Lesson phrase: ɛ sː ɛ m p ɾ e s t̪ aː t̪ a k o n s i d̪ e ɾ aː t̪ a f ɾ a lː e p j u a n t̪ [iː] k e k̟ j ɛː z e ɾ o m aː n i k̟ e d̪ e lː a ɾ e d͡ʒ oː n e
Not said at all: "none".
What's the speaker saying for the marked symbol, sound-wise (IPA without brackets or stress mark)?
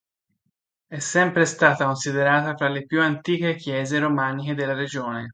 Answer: iː